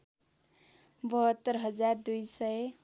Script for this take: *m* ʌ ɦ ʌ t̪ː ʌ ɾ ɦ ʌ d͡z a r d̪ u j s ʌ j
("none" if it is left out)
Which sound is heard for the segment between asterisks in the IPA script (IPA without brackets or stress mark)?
b